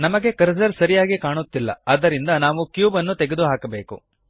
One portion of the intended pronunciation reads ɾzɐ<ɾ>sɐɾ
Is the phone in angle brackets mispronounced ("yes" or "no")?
no